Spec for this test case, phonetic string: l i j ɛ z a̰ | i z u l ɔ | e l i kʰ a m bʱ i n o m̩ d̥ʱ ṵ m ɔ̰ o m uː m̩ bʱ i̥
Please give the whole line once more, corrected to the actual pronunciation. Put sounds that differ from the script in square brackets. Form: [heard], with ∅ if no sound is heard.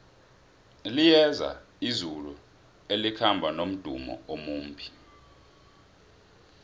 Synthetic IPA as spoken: l i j ɛ z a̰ | i z u l [u] | e l i kʰ a m bʱ [a] n o m̩ d̥ʱ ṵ m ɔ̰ o m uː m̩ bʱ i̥